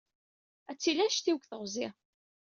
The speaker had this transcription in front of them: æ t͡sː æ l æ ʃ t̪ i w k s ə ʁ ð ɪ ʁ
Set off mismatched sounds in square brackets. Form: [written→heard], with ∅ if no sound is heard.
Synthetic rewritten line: æ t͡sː [æ→i] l æ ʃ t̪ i w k [s→θ] ə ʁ [ð→z] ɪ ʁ